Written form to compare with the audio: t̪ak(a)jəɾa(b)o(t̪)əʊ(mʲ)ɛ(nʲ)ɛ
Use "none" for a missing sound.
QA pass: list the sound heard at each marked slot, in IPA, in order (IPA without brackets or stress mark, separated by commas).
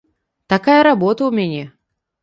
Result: a, b, t̪, mʲ, nʲ